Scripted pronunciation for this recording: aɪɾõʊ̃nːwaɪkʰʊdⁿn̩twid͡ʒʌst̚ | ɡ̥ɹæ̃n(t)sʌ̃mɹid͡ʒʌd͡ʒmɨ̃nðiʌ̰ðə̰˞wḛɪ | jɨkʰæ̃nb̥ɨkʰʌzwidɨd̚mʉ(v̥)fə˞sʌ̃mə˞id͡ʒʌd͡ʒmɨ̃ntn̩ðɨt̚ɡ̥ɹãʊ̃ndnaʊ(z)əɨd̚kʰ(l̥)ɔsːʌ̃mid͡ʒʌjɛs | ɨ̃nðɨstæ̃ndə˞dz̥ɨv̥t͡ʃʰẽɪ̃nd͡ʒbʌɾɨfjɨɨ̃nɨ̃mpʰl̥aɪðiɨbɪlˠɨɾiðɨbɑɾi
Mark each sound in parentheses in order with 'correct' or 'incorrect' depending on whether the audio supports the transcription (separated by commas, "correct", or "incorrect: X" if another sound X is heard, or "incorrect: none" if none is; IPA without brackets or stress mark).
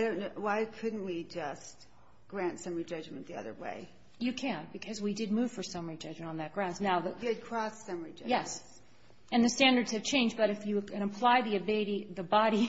correct, correct, incorrect: ð, incorrect: ɹ̥